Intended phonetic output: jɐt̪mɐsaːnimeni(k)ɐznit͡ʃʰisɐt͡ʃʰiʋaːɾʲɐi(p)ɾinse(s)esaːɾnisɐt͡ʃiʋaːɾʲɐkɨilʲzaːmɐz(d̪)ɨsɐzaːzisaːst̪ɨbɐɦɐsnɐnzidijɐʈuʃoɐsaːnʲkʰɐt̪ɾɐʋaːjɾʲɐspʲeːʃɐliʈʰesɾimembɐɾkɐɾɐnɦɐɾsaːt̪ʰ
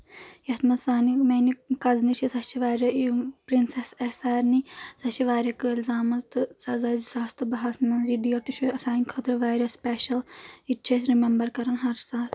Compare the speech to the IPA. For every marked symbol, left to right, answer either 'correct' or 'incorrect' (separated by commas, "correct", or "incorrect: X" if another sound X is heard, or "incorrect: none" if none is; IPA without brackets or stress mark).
correct, correct, correct, incorrect: t̪